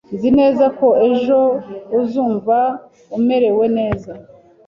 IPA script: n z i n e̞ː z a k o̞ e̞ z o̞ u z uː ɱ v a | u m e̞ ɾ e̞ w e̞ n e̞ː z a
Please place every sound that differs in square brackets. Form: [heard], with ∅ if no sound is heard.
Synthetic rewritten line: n z i n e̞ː z a k o̞ e̞ [ʒ] o̞ u z uː ɱ v a | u m e̞ ɾ e̞ w e̞ n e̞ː z a